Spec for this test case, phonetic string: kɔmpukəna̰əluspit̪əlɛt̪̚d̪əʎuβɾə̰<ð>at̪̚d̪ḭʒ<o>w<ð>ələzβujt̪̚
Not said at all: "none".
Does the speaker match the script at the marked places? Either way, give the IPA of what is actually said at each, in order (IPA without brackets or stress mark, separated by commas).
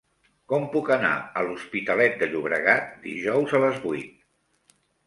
ɣ, ɔ, z